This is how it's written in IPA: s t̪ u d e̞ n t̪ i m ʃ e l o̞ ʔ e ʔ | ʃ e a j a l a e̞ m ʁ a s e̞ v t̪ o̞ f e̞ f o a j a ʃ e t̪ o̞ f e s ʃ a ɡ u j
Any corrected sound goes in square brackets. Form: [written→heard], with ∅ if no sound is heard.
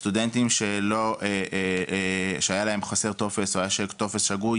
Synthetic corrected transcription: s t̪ u d e̞ n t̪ i m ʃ e l o̞ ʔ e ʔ | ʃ e a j a l a e̞ m [ʁ→χ] a s e̞ [v→ʁ] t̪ o̞ f e̞ [f→s] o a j a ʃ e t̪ o̞ f e s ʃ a ɡ u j